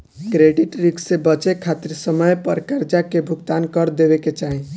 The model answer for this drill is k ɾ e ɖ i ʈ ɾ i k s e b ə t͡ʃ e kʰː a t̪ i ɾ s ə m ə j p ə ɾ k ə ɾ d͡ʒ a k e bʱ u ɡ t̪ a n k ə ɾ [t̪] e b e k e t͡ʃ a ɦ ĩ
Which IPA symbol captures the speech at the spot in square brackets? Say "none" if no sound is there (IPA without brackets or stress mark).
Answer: d̪